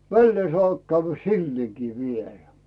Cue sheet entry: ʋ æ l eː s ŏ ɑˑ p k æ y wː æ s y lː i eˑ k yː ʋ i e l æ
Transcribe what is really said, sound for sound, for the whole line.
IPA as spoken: ʋ æ lː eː s ŏ ɑˑ p k æ y ʋː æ s i lː i eˑ k iː ʋ i e l æ